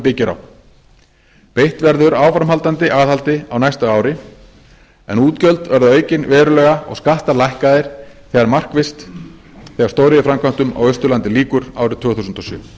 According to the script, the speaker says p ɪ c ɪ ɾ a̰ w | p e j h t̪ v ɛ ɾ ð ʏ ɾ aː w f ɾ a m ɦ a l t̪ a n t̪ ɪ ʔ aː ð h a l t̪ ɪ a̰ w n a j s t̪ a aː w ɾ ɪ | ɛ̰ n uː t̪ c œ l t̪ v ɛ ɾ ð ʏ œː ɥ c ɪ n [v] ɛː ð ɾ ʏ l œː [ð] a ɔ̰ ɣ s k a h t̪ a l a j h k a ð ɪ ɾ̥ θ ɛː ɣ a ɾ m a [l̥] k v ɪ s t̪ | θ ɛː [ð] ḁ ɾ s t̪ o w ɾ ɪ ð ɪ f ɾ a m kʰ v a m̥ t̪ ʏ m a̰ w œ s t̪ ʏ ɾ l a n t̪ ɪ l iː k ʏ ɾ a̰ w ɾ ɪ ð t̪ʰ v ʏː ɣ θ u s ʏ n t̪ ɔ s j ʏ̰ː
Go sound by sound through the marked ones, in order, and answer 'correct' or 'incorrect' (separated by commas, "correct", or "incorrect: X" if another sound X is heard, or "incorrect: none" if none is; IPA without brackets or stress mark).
correct, incorrect: ɣ, incorrect: r̥, incorrect: ɣ